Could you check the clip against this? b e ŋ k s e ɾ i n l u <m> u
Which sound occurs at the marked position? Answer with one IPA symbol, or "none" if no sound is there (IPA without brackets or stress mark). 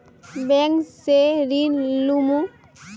m